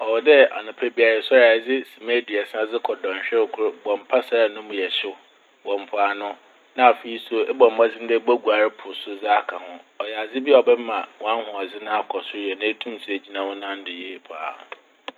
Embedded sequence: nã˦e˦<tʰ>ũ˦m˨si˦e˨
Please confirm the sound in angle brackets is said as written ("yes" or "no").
yes